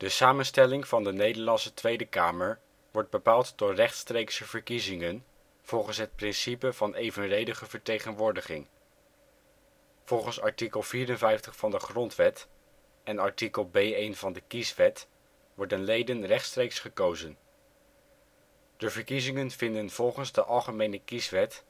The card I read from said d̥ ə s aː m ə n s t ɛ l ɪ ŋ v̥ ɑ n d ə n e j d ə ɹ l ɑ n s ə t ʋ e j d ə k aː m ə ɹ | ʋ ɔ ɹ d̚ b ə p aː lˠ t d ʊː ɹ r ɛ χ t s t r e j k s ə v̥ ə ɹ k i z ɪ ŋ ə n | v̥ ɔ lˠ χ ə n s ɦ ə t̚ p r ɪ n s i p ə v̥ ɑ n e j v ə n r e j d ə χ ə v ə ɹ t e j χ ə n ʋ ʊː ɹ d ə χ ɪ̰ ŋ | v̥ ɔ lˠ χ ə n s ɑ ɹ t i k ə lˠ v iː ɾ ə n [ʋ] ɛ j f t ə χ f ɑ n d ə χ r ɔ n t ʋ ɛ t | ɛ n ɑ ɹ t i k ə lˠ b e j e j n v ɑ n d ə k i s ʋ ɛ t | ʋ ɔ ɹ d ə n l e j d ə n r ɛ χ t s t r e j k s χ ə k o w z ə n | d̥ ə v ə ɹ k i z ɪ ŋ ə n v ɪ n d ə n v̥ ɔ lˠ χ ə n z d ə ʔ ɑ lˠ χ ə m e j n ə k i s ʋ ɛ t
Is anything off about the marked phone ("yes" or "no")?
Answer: yes